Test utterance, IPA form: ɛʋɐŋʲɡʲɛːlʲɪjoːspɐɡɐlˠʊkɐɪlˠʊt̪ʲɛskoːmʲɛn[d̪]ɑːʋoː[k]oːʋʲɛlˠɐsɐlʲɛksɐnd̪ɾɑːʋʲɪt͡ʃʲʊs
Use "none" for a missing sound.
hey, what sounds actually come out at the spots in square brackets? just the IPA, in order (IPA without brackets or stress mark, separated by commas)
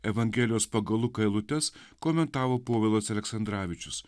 t̪, p